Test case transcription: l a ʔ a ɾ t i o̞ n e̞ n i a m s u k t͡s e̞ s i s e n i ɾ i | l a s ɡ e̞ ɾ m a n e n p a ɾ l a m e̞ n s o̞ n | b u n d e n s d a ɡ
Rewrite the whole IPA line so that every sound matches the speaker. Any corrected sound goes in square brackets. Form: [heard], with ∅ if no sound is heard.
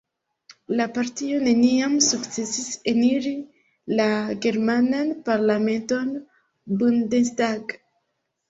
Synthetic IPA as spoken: l a [p] a ɾ t i o̞ n e̞ n i a m s u k t͡s e̞ s i s e n i ɾ i | l a [∅] ɡ e̞ ɾ m a n [a] n p a ɾ l a m e̞ n [t] o̞ n | b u n d e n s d a ɡ